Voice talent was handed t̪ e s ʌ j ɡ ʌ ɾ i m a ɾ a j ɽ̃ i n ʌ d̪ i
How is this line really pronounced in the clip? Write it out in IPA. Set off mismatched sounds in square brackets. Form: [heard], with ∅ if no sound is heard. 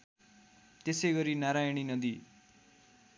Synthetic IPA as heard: t̪ e s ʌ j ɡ ʌ ɾ i [n] a ɾ a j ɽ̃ i n ʌ d̪ i